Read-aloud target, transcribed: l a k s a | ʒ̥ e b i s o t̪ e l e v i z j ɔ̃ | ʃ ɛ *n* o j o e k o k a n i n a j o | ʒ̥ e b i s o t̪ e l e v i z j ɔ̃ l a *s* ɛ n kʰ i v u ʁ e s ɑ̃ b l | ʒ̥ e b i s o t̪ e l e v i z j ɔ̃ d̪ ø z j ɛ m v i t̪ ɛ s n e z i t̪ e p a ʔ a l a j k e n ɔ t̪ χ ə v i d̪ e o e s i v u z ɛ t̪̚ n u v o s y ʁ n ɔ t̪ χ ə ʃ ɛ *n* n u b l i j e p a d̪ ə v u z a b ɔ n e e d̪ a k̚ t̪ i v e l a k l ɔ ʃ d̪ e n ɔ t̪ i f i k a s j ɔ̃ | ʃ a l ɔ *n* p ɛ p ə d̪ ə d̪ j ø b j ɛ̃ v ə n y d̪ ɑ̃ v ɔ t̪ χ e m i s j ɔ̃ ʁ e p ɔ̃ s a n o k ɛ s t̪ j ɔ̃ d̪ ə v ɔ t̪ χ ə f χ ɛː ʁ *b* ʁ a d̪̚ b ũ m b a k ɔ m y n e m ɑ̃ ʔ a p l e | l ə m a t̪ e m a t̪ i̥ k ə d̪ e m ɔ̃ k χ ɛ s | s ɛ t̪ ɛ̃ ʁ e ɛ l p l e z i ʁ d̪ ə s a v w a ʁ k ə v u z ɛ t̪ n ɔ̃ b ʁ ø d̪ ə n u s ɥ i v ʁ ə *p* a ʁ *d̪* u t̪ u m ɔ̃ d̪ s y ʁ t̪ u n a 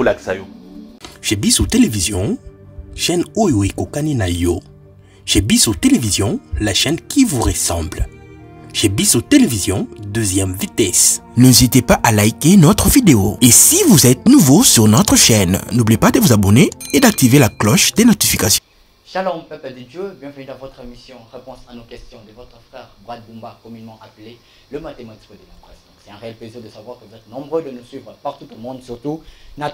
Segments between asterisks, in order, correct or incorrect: correct, incorrect: ʃ, correct, incorrect: m, correct, correct, incorrect: t̪

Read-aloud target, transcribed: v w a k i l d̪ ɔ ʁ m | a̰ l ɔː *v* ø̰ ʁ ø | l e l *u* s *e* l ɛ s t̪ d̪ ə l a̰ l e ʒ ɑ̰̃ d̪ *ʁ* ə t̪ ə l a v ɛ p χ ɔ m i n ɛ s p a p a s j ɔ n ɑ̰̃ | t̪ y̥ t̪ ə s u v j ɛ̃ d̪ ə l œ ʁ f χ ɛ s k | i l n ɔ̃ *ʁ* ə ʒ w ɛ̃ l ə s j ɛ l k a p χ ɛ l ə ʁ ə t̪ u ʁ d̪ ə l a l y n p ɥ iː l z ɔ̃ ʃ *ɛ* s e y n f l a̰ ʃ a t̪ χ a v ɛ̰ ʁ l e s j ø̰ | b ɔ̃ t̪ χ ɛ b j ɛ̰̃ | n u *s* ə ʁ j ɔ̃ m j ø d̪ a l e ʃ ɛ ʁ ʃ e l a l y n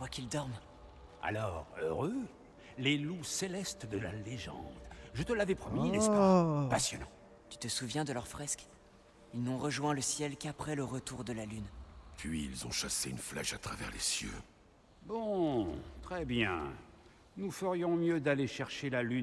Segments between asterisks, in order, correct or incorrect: incorrect: ʁ, correct, correct, incorrect: ʒ, correct, incorrect: a, incorrect: f

